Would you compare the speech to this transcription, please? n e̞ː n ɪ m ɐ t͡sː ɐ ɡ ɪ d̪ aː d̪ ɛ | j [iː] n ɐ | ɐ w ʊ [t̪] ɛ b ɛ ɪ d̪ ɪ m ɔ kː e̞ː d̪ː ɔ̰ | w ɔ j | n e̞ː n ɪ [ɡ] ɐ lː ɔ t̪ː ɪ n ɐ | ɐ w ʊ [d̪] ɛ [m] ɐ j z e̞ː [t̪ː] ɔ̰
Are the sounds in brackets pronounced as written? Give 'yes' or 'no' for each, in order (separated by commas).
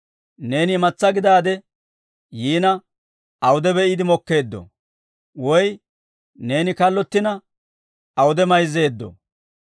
yes, no, no, yes, yes, no